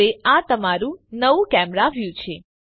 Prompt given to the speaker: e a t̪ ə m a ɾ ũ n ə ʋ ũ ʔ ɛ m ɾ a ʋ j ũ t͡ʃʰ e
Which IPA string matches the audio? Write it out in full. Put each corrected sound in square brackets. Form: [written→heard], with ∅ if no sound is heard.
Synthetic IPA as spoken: e a t̪ ə m a ɾ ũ n ə ʋ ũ [ʔ→k] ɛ m ɾ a ʋ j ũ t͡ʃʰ e